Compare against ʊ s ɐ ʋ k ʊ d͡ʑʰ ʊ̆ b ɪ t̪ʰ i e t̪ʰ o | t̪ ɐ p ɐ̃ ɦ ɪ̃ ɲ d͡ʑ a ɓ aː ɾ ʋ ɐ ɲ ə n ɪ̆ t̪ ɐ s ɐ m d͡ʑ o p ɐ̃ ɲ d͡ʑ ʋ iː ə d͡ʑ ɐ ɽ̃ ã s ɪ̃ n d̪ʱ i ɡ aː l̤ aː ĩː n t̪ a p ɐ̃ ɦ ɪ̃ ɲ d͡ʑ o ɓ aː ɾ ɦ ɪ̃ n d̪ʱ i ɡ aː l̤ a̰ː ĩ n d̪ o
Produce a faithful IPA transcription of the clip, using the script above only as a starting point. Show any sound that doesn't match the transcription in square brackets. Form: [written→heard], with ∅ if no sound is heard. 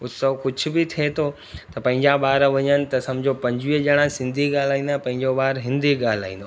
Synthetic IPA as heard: ʊ s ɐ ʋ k ʊ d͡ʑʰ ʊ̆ b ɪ t̪ʰ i e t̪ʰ o | t̪ ɐ p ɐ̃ ɦ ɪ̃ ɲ d͡ʑ a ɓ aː ɾ ʋ ɐ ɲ ə n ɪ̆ t̪ ɐ s ɐ m d͡ʑ o p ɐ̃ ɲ d͡ʑ ʋ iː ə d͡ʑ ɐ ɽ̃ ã s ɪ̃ n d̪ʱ i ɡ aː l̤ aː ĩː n [t̪→d̪] a p ɐ̃ ɦ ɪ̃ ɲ d͡ʑ o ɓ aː ɾ ɦ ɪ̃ n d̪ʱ i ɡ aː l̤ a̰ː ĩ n d̪ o